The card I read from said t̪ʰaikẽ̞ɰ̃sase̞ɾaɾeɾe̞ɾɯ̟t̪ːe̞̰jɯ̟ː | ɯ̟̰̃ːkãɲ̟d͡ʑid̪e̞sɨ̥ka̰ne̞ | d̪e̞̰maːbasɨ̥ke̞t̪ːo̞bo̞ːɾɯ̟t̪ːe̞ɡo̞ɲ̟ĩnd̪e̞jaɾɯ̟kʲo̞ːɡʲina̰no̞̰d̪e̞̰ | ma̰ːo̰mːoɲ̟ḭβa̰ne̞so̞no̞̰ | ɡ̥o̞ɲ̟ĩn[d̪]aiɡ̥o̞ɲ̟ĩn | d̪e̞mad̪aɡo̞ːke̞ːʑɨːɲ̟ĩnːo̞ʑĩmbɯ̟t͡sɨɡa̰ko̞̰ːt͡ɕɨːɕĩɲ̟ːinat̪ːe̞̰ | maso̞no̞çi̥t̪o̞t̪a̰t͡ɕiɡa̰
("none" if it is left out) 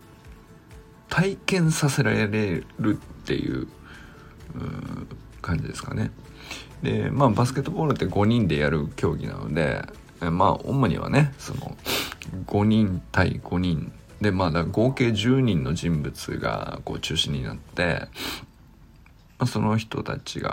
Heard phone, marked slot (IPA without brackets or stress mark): t̪